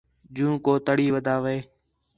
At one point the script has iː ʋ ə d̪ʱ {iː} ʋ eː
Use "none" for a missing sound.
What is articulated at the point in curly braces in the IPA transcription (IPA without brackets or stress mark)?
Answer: aː